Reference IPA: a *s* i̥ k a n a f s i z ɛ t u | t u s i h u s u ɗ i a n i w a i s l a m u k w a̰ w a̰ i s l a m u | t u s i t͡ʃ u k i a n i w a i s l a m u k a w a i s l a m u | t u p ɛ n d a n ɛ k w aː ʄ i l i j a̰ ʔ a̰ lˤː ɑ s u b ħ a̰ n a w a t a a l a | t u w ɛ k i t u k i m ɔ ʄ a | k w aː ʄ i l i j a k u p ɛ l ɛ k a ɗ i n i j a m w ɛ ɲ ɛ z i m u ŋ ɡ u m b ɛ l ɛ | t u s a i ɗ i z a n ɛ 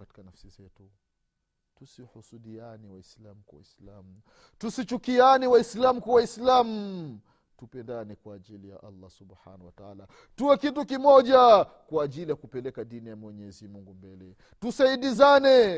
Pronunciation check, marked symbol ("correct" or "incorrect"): incorrect